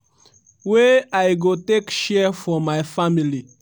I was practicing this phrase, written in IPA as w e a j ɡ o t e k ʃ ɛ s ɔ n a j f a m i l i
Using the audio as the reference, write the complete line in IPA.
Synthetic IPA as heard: w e a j ɡ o t e k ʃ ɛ f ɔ m a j f a m i l i